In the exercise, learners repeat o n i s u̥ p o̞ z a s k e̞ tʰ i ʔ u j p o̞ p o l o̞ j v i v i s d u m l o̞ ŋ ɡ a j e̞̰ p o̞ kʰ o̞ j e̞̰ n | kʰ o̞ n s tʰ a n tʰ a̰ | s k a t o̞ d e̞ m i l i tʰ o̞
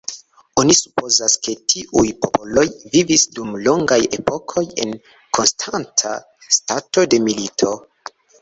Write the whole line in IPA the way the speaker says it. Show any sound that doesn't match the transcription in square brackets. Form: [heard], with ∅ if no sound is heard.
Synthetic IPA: o n i s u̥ p o̞ z a s k e̞ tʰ i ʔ u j p o̞ p o l o̞ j v i v i s d u m l o̞ ŋ ɡ a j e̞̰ p o̞ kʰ o̞ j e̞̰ n | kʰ o̞ n s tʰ a n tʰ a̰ | s [t] a t o̞ d e̞ m i l i tʰ o̞